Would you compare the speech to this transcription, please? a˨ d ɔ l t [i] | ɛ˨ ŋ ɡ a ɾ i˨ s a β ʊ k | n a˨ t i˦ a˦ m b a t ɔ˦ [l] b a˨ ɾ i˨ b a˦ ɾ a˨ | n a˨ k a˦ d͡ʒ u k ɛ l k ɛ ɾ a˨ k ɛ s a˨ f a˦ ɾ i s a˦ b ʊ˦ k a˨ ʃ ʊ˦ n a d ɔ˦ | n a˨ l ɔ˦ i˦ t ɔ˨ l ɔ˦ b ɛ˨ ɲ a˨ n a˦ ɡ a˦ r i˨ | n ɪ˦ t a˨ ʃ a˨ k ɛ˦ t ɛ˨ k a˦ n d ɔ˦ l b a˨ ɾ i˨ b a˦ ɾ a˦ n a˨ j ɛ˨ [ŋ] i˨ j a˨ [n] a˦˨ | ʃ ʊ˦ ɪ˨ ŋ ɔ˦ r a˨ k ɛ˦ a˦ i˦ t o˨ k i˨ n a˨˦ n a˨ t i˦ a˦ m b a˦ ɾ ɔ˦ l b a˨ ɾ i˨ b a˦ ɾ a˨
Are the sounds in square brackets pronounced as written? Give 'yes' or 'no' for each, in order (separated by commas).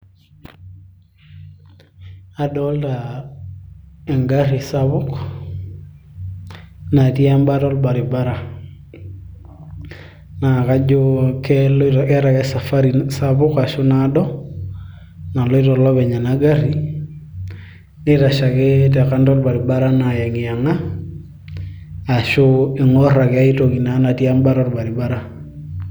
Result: no, yes, yes, no